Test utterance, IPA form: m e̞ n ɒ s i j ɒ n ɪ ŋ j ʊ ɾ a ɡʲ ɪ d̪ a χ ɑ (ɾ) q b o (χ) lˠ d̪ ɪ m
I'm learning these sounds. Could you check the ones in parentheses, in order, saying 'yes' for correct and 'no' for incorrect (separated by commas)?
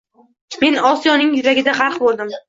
yes, no